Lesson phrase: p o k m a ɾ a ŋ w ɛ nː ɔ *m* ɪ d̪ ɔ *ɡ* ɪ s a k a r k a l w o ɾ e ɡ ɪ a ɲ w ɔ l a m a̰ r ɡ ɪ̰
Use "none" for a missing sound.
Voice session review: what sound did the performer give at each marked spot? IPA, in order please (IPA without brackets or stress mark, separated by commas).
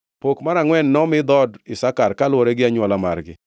m, d